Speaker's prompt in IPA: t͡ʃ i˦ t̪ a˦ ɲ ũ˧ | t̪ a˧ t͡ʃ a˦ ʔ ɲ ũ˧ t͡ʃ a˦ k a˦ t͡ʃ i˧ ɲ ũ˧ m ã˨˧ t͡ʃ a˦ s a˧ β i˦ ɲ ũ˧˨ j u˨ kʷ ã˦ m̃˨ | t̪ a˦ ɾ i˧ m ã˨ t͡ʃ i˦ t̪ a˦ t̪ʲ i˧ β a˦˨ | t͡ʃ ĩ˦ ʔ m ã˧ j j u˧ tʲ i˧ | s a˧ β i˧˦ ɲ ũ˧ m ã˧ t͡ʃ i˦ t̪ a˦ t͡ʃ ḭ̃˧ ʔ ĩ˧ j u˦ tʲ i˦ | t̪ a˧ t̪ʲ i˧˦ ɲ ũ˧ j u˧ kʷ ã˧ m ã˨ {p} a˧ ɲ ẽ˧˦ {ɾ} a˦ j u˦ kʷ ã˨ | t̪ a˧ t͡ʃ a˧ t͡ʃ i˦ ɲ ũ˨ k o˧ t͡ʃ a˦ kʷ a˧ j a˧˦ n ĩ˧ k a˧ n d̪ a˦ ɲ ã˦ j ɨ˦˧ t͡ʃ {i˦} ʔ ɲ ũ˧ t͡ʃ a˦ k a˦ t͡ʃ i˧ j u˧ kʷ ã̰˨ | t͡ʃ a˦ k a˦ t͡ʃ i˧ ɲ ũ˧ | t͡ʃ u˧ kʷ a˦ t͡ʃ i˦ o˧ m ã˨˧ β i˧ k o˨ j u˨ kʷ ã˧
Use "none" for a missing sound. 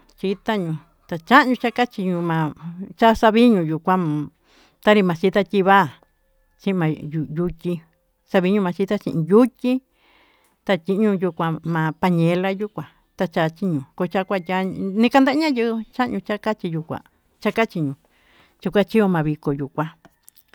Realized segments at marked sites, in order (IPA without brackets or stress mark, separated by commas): p, l, a˦